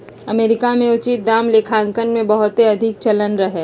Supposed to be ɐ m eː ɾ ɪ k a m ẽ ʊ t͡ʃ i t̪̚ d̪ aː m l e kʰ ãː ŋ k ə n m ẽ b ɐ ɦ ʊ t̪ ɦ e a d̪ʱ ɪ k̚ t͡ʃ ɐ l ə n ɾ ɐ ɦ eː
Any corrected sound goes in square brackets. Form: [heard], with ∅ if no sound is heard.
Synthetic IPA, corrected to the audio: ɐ m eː ɾ ɪ k a m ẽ ʊ t͡ʃ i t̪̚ d̪ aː m l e kʰ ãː ŋ k ə n m ẽ b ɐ ɦ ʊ t̪ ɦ e [ɐ] d̪ʱ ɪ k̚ t͡ʃ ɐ l ə n ɾ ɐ ɦ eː

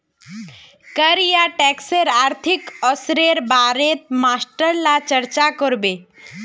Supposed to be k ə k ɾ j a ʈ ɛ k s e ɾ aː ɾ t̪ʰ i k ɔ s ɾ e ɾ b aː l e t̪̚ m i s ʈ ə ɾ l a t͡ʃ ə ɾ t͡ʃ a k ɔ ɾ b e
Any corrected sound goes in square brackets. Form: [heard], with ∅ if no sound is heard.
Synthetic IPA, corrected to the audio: k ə [∅] ɾ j a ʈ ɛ k s e ɾ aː ɾ t̪ʰ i k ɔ s ɾ e ɾ b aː [ɾ] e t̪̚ m [a] s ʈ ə ɾ l a t͡ʃ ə ɾ t͡ʃ a k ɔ ɾ b e

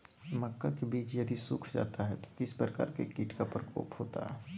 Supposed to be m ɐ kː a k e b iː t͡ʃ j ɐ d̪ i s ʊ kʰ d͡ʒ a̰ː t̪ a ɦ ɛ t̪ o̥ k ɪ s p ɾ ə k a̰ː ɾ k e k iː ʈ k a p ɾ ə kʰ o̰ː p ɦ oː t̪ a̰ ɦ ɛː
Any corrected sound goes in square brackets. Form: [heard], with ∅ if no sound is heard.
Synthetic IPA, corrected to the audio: m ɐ kː a k e b iː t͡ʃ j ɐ d̪ i s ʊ kʰ d͡ʒ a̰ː t̪ a ɦ ɛ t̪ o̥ k ɪ s p ɾ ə k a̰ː ɾ k e k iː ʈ k a p ɾ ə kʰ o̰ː p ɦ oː t̪ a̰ ɦ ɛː

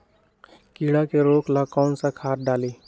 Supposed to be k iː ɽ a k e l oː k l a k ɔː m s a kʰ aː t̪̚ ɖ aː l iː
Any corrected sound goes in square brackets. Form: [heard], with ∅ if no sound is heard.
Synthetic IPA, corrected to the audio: k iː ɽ a k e [ɾ] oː k l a k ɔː [n] s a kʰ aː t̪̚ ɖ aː l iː

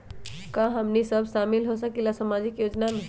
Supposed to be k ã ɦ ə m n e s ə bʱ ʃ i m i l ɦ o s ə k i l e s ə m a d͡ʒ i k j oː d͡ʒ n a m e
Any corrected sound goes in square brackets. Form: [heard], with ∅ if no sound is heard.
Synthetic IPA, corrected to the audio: k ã ɦ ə m n [i] s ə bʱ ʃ [a] m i l ɦ o s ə k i l [a] s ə m a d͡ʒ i k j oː d͡ʒ n a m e

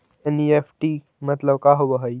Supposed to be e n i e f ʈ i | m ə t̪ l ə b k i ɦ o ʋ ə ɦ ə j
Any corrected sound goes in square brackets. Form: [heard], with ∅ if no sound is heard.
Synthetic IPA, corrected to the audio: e n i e f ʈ i | m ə t̪ l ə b k [a] ɦ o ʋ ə ɦ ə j

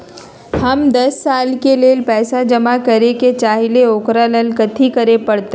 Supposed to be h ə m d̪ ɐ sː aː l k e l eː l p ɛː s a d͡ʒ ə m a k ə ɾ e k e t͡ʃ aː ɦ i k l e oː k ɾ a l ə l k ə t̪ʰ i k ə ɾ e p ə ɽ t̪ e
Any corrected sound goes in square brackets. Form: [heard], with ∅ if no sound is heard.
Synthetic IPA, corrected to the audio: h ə m d̪ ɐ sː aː l k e l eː l p ɛː s a d͡ʒ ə m a k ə ɾ e k e t͡ʃ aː ɦ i [∅] l e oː k ɾ a l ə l k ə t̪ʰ i k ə ɾ e p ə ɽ t̪ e

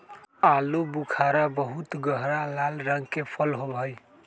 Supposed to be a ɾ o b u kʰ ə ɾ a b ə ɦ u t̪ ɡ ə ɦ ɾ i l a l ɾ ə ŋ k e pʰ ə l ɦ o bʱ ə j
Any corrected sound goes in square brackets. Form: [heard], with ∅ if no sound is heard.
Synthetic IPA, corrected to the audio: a [l] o b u kʰ [a] ɾ a b ə ɦ u t̪ ɡ ə ɦ ɾ [a] l a l ɾ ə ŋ k e pʰ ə l ɦ o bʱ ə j

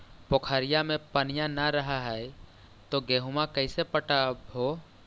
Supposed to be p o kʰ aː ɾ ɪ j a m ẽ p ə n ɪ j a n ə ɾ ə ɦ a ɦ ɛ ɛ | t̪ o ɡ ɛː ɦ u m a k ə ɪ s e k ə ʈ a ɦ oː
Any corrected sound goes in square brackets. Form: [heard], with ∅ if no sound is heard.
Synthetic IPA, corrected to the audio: p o kʰ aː ɾ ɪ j a m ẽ p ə n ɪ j a n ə ɾ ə ɦ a ɦ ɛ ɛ | t̪ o ɡ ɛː ɦ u m a k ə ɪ s e [p] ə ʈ a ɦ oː

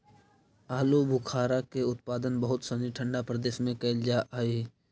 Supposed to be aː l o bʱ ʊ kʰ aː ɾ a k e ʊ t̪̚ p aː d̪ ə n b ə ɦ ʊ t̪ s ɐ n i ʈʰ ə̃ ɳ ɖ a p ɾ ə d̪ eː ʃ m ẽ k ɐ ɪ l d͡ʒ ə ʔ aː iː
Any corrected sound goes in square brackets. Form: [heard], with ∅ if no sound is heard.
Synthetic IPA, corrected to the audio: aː l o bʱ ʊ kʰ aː ɾ a k e ʊ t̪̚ p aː d̪ ə n b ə ɦ ʊ t̪ s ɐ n i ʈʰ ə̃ ɳ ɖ a p ɾ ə d̪ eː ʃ m ẽ k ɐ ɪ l d͡ʒ [a] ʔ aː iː

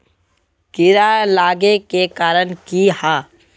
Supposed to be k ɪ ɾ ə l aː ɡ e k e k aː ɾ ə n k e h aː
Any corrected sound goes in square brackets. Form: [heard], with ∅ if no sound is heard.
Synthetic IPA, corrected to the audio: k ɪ ɾ [a] l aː ɡ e k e k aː ɾ ə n k [i] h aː

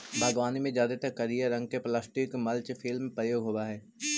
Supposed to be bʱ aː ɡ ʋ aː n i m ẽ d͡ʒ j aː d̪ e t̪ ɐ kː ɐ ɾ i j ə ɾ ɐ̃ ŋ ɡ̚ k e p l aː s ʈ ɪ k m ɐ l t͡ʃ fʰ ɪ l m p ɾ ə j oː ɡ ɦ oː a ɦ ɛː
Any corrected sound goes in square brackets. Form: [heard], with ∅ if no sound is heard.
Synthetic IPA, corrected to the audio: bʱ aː ɡ ʋ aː n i m ẽ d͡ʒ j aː d̪ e t̪ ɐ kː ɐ ɾ i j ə ɾ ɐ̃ ŋ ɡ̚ k e p l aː s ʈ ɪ k m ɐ l t͡ʃ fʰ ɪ l m p ɾ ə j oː ɡ ɦ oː a ɦ ɛː

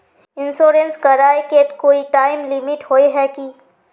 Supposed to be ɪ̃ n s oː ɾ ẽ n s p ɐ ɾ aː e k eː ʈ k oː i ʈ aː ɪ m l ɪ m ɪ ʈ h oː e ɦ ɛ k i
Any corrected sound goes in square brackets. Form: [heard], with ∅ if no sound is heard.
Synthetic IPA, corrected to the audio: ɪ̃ n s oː ɾ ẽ n s [k] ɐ ɾ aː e k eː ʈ k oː i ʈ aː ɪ m l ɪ m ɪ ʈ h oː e ɦ ɛ k i

